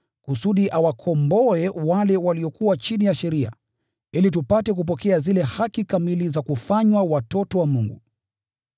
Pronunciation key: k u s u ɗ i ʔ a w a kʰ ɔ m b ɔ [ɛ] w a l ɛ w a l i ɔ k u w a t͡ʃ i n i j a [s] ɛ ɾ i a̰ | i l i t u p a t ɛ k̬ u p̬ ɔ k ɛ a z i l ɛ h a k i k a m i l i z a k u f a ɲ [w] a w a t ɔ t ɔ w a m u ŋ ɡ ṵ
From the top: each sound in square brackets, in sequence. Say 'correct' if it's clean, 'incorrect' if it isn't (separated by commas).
correct, incorrect, correct